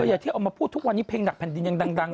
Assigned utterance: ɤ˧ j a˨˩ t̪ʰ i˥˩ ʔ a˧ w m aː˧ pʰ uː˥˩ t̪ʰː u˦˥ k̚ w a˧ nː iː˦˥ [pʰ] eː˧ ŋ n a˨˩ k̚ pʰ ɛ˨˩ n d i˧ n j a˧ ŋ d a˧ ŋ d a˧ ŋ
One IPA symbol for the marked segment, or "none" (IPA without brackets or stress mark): pʰ